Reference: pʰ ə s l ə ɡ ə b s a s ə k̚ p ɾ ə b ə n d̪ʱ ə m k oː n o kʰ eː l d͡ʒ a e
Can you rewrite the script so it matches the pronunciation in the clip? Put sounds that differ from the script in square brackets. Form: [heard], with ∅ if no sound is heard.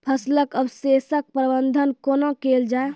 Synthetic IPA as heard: pʰ ə s l ə [k] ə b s [e] s ə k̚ p ɾ ə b ə n d̪ʱ ə [n] k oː n o [k] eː l d͡ʒ a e